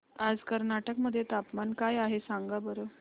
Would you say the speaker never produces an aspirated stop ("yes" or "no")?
yes